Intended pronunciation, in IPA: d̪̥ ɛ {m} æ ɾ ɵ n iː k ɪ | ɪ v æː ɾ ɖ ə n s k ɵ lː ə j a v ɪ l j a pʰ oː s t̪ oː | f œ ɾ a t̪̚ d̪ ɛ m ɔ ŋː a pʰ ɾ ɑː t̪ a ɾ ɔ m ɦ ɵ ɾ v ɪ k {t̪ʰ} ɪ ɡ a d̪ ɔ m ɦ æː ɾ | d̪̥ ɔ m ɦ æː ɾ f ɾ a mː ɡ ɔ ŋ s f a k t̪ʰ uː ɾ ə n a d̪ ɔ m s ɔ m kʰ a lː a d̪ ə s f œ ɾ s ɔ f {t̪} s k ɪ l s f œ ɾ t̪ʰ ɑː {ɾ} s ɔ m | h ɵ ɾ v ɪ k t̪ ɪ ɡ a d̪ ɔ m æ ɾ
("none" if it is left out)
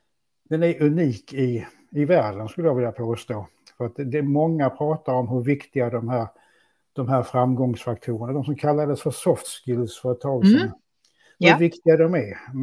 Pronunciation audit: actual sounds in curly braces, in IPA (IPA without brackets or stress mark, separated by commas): n, t̪, t̪, l